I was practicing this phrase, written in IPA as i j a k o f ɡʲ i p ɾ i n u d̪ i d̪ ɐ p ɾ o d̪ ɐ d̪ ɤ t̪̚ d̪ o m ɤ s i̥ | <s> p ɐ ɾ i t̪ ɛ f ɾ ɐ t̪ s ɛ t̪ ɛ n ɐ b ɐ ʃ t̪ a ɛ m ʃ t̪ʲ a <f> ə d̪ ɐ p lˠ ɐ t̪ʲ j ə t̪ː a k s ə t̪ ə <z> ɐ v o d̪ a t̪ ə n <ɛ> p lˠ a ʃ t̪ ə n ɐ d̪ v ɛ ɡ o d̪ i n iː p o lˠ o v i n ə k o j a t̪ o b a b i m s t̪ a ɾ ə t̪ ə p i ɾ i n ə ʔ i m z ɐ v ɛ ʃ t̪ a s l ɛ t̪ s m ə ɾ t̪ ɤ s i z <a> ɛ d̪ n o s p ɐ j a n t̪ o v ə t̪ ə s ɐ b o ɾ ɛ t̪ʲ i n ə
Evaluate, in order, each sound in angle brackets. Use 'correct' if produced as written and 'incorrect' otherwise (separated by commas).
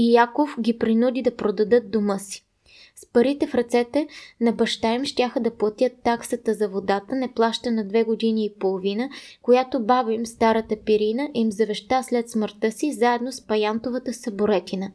correct, incorrect, correct, correct, correct